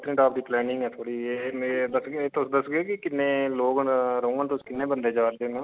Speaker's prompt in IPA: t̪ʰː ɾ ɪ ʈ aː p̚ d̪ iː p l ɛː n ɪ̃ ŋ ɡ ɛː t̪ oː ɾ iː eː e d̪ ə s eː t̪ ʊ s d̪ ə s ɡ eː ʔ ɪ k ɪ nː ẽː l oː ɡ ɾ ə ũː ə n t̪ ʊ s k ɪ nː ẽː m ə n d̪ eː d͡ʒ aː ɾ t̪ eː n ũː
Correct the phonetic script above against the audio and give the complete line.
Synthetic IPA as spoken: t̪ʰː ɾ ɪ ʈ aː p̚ d̪ iː p l ɛː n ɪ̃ ŋ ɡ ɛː t̪ʰ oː ɽ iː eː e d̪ ə s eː t̪ ʊ s d̪ ə s ɡ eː k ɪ k ɪ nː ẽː l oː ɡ ɾ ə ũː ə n t̪ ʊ s k ɪ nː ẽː b ə n d̪ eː d͡ʒ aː ɾ d̪ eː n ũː